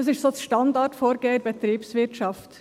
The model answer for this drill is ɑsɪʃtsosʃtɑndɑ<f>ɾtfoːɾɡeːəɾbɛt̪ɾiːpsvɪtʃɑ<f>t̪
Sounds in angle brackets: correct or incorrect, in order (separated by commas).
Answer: incorrect, correct